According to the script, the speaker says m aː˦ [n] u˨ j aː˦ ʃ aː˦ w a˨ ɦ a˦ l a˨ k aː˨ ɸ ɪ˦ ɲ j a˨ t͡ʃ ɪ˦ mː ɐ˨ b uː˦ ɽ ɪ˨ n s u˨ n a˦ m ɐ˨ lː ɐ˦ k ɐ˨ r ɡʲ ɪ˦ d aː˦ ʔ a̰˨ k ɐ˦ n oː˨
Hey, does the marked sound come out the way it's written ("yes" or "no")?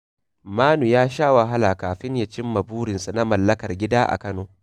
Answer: yes